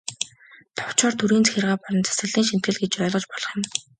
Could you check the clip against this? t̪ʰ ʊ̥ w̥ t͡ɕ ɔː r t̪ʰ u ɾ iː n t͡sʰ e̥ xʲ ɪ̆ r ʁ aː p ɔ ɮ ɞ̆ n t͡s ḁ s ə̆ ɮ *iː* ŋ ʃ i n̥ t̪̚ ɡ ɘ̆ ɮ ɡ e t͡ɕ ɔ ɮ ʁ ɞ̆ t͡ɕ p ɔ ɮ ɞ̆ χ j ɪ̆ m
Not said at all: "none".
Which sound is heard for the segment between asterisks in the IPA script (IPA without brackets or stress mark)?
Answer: iː